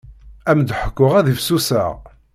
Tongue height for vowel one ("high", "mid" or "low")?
low